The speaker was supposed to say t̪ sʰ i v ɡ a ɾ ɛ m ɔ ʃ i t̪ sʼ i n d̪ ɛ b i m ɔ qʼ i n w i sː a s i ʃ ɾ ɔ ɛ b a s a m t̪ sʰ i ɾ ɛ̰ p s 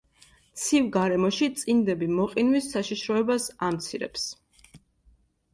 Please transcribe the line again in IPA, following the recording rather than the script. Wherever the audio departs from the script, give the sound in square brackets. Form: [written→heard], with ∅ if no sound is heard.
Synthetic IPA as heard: t̪ sʰ i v ɡ a ɾ ɛ m ɔ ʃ i t̪ sʼ i n d̪ ɛ b i m ɔ qʼ i n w i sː a [s→ʃ] i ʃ ɾ ɔ ɛ b a s a m t̪ sʰ i ɾ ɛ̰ p s